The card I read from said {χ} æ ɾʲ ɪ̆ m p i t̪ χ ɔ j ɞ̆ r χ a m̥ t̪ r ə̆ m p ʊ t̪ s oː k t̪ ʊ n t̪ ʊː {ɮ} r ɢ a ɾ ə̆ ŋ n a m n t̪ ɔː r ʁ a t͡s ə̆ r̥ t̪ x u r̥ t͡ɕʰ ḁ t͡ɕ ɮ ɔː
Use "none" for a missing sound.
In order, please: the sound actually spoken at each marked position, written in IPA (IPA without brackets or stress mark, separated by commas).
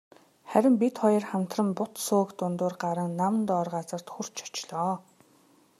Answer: χ, none